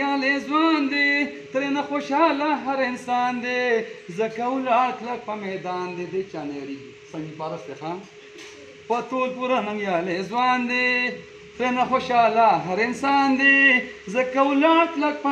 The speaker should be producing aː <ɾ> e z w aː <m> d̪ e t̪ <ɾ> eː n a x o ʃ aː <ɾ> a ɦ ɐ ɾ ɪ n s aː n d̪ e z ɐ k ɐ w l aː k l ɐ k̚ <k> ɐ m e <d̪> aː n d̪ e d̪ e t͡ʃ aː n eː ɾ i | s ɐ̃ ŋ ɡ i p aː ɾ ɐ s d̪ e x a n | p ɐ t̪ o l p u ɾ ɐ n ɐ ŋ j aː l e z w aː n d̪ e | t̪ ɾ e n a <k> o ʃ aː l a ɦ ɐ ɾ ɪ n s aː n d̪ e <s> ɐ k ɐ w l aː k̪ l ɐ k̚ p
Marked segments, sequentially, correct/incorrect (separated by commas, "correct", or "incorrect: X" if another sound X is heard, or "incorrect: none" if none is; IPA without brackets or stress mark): incorrect: l, incorrect: n, correct, incorrect: l, incorrect: p, correct, incorrect: x, incorrect: z